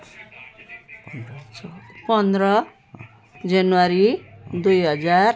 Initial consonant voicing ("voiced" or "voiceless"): voiceless